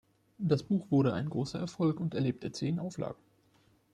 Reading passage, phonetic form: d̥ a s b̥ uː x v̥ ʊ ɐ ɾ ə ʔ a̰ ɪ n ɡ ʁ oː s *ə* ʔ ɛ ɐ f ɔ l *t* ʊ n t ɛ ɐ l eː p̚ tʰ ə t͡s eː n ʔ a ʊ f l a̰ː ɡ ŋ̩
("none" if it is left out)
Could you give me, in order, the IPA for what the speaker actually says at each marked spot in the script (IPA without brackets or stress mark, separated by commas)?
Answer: ɐ, k